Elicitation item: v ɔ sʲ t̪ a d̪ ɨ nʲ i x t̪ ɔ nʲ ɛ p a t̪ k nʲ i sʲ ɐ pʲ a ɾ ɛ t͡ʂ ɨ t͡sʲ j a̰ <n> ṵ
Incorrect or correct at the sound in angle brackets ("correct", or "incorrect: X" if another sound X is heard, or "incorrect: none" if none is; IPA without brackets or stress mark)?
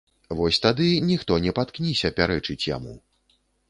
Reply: incorrect: m